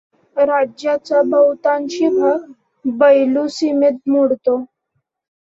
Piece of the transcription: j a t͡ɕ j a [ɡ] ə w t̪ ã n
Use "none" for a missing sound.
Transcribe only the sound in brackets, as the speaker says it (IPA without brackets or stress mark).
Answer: b